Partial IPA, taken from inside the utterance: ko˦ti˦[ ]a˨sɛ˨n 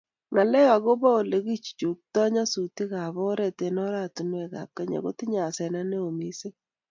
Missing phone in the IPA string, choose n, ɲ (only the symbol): ɲ